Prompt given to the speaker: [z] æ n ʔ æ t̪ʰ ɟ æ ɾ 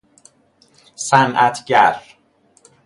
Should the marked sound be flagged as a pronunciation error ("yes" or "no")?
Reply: yes